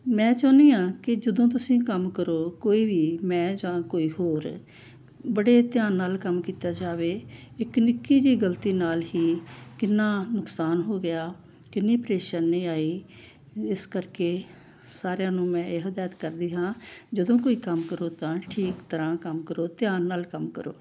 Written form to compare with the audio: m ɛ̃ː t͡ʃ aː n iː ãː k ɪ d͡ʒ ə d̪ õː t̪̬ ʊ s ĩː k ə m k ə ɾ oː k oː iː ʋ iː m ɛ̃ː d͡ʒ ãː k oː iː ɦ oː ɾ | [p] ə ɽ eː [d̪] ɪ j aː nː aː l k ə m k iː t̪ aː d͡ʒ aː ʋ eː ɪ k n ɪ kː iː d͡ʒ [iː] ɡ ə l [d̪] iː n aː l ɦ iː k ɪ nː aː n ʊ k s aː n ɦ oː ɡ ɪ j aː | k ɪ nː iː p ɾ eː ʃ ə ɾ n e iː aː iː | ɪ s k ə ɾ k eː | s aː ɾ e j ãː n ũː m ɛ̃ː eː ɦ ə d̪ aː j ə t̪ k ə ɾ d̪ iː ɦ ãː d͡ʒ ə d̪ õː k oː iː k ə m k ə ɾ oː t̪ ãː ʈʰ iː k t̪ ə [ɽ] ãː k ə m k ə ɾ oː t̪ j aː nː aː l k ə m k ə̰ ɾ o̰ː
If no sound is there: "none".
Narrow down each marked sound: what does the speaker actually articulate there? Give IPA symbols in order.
b, t̪, iː, t̪, ɾ

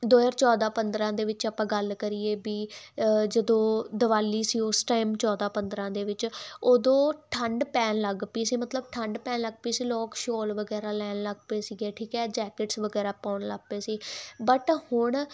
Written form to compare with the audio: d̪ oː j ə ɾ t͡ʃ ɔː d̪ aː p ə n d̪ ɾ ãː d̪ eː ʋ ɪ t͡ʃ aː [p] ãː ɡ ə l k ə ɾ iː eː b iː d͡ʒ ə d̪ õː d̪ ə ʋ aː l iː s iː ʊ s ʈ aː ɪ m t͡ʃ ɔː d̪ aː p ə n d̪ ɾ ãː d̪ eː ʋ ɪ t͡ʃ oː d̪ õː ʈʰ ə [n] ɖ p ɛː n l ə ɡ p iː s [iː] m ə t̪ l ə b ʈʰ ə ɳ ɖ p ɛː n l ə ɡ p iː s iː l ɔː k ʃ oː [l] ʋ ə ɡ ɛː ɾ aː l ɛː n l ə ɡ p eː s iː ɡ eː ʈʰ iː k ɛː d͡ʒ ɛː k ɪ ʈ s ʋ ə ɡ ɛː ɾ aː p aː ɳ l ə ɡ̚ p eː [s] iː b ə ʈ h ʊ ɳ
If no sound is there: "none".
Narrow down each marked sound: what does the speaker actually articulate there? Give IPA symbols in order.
p, ɳ, iː, l, s

